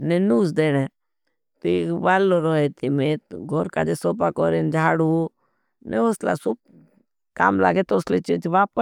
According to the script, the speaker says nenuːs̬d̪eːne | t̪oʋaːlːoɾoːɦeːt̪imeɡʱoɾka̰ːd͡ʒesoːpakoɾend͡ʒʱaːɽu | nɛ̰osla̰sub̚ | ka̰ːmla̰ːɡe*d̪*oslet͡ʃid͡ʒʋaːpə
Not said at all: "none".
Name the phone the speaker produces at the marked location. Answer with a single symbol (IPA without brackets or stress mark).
t̪